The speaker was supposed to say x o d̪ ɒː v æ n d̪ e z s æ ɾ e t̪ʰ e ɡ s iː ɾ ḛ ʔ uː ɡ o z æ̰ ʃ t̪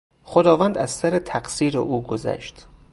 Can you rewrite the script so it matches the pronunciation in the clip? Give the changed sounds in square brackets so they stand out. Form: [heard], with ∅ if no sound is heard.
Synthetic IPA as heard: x o d̪ ɒː v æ n d̪ [æ] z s æ ɾ e t̪ʰ [æ] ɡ s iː ɾ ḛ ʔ uː ɡ o z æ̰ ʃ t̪